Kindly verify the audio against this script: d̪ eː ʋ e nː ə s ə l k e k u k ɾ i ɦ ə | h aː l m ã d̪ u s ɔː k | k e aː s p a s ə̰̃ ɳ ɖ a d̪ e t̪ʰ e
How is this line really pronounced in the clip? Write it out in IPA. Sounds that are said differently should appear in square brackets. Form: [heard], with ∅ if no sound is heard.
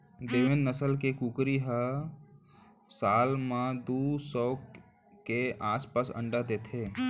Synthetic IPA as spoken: d̪ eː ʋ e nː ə s ə l k e k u k ɾ i ɦ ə | [s] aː l m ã d̪ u s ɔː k | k e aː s p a s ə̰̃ ɳ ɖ a d̪ e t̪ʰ e